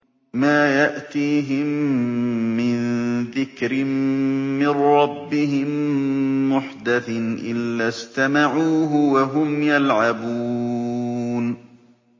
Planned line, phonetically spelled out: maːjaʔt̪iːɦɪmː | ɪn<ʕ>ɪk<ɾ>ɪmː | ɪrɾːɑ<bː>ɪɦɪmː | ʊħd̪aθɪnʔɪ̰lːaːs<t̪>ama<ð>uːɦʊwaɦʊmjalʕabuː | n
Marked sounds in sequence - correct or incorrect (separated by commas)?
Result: incorrect, correct, correct, correct, incorrect